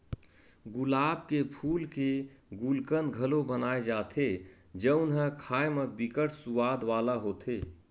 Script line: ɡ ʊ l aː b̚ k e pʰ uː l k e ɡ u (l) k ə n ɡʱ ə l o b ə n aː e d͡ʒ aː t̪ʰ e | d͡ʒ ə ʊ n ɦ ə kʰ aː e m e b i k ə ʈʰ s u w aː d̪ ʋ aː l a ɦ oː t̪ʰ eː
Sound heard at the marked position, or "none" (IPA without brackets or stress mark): l